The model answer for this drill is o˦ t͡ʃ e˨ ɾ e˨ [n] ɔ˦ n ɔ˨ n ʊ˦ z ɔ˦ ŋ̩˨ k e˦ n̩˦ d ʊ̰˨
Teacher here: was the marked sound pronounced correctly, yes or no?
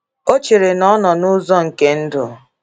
yes